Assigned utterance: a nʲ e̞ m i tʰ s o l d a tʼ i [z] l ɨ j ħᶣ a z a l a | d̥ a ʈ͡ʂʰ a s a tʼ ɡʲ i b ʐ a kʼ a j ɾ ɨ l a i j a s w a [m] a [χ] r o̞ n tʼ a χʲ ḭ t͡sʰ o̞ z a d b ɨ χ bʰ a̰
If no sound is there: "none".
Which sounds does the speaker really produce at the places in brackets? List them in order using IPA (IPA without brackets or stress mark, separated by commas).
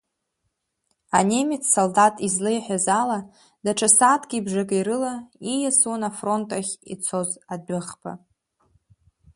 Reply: z, n, f